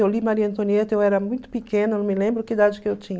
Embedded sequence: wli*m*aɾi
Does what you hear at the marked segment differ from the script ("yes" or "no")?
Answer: no